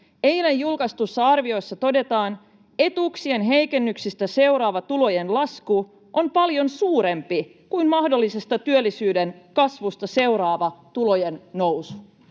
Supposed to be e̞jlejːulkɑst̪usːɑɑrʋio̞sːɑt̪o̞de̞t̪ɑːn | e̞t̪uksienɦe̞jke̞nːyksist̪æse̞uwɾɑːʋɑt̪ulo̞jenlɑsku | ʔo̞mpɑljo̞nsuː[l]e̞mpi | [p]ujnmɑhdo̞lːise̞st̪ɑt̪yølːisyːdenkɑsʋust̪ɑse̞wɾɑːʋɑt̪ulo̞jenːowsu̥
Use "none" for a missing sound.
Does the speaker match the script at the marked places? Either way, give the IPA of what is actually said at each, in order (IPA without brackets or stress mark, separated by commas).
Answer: ɾ, k